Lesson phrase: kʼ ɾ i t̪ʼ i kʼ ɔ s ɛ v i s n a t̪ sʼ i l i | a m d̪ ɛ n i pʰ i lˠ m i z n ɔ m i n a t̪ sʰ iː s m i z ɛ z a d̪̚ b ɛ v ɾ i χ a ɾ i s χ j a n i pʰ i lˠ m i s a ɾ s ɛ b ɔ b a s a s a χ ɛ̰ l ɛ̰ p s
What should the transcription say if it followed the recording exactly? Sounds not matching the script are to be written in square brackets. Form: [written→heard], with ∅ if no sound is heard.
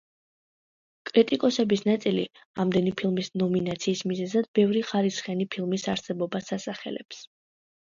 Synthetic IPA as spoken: kʼ ɾ i t̪ʼ i kʼ ɔ s ɛ [v→b] i s n a t̪ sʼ i l i | a m d̪ ɛ n i pʰ i lˠ m i [z→s] n ɔ m i n a t̪ sʰ iː s m i z ɛ z a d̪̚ b ɛ v ɾ i χ a ɾ i s χ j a n i pʰ i lˠ m i s a ɾ s ɛ b ɔ b a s a s a χ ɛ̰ l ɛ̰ p s